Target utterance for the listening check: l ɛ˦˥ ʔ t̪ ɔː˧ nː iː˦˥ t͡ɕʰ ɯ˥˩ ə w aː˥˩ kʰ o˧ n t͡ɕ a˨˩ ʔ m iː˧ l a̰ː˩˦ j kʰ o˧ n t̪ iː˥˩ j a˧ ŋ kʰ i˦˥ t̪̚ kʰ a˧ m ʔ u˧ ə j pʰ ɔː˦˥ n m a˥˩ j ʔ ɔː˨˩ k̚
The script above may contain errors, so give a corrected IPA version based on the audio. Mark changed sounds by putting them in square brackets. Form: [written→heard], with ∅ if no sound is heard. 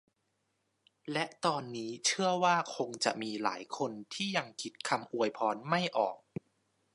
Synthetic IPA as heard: l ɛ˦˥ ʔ t̪ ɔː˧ nː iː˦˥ t͡ɕʰ ɯ˥˩ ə w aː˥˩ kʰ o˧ [n→ŋ] t͡ɕ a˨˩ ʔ m iː˧ l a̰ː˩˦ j kʰ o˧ n [t̪→t̪ʰ] iː˥˩ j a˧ ŋ kʰ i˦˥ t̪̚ kʰ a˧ m ʔ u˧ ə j pʰ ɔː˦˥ n m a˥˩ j ʔ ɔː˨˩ k̚